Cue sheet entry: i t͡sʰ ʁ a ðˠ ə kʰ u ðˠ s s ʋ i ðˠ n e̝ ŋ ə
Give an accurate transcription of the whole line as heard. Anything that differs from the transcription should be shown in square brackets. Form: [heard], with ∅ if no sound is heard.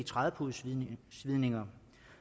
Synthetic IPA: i t͡sʰ ʁ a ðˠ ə [pʰ] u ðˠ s s ʋ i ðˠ n e̝ ŋ [ɐ]